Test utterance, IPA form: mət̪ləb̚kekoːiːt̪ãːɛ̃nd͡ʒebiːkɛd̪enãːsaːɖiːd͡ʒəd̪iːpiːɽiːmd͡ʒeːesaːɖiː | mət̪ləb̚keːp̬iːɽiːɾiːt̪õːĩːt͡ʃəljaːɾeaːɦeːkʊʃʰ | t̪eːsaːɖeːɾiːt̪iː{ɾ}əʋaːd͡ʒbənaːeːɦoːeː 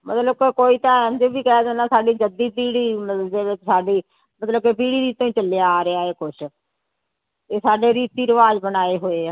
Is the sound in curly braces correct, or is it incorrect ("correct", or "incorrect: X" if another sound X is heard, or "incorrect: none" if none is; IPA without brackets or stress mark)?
correct